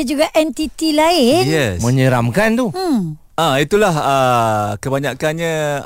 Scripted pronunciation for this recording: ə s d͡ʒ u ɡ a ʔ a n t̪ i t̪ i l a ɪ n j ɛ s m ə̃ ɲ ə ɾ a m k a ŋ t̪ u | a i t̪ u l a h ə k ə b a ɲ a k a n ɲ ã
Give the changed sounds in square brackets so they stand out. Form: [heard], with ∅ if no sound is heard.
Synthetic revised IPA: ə [∅] d͡ʒ u ɡ a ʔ [ɛ] n t̪ i t̪ i l a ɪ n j ɛ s m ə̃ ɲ ə ɾ a m k a [n] t̪ u | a i t̪ u l a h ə k ə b a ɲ a k a n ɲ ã